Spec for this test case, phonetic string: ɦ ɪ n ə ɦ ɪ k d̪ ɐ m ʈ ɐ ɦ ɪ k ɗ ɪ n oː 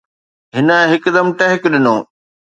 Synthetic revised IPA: ɦ ɪ n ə ɦ ɪ k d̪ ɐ m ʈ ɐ ɦ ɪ k ɗ ɪ n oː